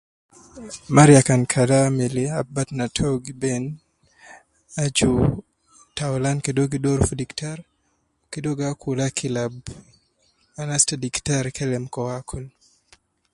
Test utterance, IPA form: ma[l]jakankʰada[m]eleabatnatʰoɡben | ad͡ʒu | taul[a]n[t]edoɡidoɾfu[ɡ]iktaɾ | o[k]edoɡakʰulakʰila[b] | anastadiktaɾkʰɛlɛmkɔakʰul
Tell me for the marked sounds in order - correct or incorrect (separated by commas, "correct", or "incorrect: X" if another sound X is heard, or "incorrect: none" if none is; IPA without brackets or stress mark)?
incorrect: ɾ, correct, correct, incorrect: k, incorrect: d, correct, correct